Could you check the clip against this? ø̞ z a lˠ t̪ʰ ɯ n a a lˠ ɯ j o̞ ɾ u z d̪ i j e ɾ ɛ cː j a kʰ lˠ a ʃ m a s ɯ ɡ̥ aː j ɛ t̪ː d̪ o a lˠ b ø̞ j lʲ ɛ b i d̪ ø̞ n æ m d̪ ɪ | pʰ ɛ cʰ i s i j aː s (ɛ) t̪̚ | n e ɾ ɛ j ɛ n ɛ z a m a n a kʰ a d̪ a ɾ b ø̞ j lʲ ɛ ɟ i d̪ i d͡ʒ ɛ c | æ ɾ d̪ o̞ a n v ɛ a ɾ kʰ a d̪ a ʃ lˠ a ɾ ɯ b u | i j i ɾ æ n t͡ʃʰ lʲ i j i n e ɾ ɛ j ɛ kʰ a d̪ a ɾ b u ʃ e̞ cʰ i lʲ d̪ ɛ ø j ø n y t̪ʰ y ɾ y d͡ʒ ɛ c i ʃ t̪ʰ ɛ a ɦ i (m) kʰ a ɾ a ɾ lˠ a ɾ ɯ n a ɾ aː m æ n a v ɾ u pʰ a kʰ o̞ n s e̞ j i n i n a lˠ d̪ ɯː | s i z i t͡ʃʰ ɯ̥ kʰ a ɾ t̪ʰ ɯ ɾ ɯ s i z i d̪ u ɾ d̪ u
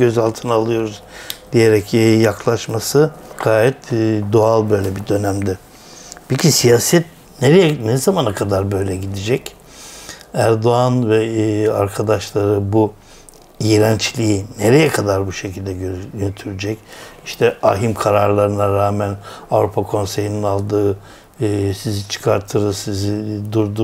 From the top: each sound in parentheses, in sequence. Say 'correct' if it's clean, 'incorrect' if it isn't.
correct, correct

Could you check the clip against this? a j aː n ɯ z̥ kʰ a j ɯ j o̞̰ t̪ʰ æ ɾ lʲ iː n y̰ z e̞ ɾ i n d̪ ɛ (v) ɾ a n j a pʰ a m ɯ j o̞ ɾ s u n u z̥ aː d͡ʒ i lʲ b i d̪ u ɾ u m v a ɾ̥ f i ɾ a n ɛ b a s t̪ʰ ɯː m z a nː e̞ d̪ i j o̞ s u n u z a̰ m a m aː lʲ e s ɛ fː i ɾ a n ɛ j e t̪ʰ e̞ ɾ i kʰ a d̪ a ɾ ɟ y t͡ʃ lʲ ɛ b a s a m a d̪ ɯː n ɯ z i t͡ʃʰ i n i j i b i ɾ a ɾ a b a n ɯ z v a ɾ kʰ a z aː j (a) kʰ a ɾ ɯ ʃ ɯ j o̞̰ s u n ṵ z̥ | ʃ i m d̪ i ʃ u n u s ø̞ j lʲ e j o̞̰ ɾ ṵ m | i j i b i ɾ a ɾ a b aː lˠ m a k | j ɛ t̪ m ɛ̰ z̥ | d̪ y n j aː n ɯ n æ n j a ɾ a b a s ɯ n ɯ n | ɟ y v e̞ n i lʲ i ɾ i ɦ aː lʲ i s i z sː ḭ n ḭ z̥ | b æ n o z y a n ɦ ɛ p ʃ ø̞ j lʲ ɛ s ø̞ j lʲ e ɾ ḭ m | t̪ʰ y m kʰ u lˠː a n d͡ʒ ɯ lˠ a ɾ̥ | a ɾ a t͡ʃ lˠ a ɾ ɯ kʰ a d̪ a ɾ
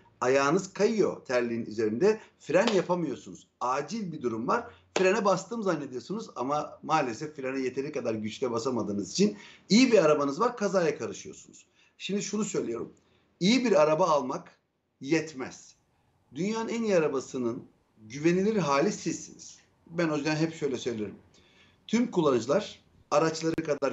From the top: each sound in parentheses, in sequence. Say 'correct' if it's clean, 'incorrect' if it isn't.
incorrect, correct

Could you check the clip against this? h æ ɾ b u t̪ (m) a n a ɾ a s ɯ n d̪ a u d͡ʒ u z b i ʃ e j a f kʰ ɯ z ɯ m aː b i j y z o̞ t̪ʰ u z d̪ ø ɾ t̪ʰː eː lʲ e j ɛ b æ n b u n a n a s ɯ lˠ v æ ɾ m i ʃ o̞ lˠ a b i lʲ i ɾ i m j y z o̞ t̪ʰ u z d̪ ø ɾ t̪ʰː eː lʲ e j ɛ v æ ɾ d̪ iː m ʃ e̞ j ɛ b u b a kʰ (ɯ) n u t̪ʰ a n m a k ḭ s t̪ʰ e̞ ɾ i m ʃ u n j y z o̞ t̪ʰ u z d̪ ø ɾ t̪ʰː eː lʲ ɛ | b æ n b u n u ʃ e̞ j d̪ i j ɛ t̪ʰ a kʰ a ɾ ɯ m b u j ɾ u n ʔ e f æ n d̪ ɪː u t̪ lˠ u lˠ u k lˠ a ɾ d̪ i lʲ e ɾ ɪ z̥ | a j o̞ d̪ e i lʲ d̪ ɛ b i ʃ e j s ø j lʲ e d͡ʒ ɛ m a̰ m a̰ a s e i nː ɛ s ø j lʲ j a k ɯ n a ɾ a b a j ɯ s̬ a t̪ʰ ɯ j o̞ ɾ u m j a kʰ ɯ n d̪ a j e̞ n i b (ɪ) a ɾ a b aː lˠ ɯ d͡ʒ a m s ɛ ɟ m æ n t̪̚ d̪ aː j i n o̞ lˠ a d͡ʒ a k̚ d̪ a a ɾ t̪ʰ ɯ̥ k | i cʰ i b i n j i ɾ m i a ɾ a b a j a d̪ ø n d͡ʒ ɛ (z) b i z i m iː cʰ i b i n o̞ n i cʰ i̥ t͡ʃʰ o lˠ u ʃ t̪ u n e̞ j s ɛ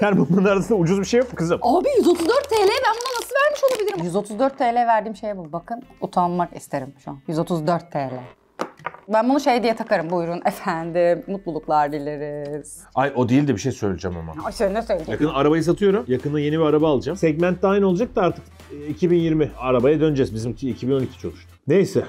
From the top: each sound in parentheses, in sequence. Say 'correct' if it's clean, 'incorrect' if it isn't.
correct, correct, incorrect, correct

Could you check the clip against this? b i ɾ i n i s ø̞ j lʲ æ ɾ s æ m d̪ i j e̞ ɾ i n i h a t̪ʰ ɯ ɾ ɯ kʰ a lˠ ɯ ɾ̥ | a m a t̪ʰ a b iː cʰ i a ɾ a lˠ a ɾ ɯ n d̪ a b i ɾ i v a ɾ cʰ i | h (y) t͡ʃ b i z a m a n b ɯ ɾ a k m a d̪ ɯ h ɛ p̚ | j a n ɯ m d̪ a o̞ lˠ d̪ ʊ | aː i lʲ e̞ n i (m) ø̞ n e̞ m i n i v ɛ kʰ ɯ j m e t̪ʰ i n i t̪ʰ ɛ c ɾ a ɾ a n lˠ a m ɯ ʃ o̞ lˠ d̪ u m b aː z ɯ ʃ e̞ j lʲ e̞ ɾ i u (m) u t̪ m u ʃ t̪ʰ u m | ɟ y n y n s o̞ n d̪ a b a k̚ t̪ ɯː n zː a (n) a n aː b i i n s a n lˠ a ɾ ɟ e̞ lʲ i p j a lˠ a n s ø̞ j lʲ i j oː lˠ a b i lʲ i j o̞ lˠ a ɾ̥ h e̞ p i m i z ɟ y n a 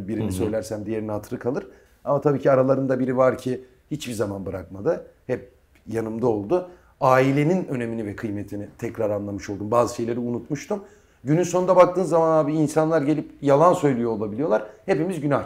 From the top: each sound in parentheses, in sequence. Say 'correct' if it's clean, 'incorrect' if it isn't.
incorrect, incorrect, incorrect, incorrect

